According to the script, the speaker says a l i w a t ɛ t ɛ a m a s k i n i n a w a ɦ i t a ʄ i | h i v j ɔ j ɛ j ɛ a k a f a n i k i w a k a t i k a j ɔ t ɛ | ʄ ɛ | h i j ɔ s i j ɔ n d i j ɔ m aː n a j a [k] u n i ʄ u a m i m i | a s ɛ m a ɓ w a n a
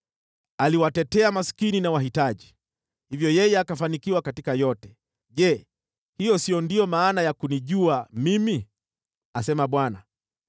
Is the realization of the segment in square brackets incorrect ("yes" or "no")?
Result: no